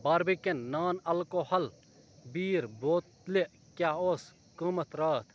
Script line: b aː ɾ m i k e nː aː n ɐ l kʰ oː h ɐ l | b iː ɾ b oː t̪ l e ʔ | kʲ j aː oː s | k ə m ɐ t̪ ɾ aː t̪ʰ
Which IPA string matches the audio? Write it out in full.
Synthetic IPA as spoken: b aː ɾ b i k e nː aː n ɐ l k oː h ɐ l | b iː ɾ b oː t̪ l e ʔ | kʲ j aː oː s | k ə m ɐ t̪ ɾ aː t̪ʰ